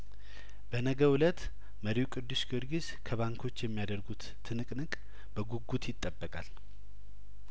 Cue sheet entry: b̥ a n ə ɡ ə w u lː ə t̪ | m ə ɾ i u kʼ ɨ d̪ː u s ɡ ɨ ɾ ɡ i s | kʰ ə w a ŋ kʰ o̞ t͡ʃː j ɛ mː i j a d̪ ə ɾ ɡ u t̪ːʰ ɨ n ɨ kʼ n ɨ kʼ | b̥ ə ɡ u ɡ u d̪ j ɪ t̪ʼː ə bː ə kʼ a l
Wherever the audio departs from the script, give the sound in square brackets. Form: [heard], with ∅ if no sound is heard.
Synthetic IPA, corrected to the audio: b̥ [ə] n ə ɡ ə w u [l] ə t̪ | m ə ɾ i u kʼ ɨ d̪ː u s ɡ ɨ ɾ ɡ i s | kʰ ə [β] a ŋ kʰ o̞ t͡ʃː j ɛ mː i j a d̪ ə ɾ ɡ u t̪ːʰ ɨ n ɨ kʼ n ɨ kʼ | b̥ ə ɡ u ɡ u [t̪] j ɪ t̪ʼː ə bː ə kʼ a l